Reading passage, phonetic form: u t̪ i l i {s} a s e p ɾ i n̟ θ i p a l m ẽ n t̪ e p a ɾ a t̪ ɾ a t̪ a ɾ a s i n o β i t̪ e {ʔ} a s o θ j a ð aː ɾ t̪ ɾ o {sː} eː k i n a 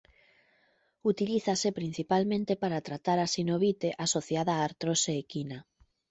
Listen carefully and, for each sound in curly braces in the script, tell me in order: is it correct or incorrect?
incorrect: θ, correct, incorrect: s

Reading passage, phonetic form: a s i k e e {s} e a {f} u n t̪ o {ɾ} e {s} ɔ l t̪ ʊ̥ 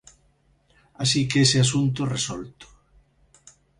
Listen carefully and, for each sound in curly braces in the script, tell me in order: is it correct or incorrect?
correct, incorrect: s, incorrect: r, correct

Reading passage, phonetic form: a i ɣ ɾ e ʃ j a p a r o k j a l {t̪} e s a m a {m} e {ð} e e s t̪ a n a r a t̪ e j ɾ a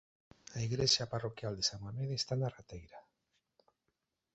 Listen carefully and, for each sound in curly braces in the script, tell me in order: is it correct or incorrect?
incorrect: d̪, correct, correct

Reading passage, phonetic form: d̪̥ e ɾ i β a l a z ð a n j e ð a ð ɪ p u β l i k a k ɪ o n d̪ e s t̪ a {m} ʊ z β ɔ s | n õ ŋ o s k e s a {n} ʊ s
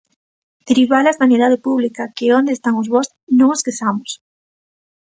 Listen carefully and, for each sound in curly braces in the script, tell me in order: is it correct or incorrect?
incorrect: ŋ, incorrect: m

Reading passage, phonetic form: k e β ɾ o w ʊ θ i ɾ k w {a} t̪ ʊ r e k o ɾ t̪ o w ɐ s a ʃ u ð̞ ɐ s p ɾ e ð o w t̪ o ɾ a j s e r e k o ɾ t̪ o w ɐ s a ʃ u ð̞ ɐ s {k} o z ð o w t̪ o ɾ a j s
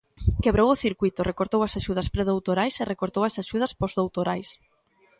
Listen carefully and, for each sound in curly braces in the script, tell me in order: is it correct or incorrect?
incorrect: i, incorrect: p

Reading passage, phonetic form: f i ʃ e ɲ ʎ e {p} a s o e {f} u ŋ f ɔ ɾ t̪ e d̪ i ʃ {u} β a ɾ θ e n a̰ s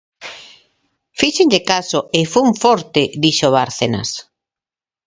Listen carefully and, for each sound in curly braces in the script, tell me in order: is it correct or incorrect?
incorrect: k, correct, incorrect: o

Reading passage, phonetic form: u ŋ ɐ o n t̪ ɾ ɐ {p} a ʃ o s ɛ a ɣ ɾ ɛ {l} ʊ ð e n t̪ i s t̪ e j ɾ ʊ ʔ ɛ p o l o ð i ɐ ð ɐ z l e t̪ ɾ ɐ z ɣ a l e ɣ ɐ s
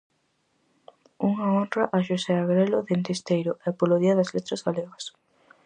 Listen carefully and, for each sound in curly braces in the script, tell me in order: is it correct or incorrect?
incorrect: ʔ, correct

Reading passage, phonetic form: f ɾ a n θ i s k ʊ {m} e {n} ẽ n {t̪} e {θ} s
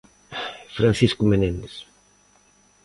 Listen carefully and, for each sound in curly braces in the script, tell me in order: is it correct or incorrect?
correct, correct, incorrect: d̪, incorrect: none

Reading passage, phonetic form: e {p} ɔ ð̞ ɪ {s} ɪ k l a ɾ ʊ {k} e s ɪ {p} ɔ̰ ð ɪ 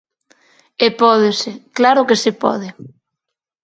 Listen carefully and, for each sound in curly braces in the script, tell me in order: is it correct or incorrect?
correct, correct, correct, correct

